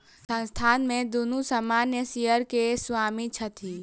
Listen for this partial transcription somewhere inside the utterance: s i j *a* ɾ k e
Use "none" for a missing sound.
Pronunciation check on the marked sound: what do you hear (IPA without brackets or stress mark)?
ə